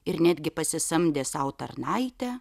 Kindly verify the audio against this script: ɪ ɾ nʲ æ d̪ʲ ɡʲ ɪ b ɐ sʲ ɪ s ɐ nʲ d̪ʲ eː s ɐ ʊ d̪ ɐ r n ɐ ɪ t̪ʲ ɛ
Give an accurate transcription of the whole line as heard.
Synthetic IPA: ɪ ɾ nʲ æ d̪ʲ ɡʲ ɪ p ɐ sʲ ɪ s ɐ mʲ d̪ʲ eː s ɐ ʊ t̪ ɐ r n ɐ ɪ t̪ʲ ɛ